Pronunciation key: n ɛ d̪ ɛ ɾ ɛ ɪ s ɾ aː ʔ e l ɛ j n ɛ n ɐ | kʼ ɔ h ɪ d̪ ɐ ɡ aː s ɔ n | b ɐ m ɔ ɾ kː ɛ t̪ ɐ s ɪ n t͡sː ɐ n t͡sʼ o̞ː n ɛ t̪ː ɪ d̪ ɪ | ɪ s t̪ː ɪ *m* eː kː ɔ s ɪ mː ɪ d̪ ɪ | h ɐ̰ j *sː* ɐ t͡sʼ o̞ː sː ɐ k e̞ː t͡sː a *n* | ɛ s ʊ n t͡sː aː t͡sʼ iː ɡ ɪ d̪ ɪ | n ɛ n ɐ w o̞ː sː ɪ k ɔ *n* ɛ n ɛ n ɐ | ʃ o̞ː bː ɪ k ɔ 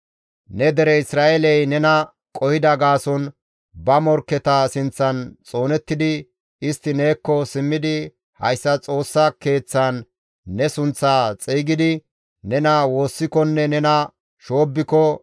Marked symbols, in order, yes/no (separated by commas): no, yes, no, no